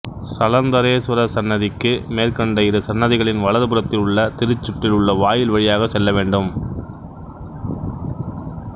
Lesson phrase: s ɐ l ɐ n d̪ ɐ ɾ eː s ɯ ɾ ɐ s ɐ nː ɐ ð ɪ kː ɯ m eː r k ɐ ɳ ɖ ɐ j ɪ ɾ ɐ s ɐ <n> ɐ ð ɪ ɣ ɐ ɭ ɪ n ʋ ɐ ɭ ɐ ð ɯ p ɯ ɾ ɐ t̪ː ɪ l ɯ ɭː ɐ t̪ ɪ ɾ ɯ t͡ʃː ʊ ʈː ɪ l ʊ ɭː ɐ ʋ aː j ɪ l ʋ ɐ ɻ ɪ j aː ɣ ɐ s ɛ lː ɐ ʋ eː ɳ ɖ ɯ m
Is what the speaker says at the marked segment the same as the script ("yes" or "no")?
no